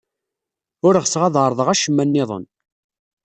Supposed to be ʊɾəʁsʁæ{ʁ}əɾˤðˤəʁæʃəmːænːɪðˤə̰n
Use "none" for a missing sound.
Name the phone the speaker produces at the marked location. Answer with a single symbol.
ð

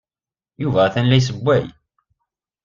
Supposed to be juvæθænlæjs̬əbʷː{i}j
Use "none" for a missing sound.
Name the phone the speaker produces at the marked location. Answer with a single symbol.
æ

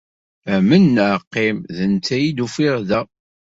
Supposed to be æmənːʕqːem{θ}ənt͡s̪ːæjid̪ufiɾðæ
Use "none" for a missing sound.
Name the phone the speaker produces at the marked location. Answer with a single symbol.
ð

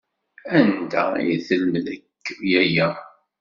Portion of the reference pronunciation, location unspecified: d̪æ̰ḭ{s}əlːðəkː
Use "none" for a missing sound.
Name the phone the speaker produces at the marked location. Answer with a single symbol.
θ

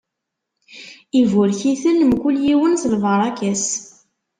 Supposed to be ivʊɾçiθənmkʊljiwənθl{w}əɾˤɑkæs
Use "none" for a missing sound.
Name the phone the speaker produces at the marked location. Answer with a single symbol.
v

